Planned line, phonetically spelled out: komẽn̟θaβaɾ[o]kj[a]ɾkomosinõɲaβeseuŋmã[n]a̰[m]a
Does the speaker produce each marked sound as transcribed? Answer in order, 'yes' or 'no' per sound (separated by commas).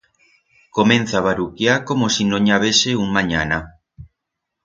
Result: no, yes, no, no